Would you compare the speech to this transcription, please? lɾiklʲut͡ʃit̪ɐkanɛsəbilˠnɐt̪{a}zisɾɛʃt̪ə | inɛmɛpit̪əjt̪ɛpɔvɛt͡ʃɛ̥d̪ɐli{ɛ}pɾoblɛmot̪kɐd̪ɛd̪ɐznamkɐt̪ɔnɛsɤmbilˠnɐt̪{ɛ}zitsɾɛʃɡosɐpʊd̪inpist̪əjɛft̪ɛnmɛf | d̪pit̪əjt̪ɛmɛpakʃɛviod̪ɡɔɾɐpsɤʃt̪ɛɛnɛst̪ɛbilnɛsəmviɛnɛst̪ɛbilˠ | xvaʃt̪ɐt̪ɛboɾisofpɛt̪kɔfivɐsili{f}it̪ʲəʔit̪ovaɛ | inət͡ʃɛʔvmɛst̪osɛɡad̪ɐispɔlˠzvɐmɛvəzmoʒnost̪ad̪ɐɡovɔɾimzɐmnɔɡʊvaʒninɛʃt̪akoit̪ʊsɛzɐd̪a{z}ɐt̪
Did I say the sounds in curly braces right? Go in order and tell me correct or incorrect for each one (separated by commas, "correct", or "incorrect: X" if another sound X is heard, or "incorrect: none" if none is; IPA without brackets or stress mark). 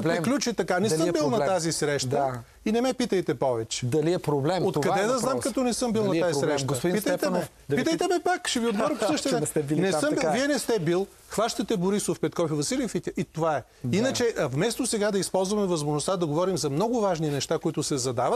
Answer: correct, correct, incorrect: a, correct, incorrect: v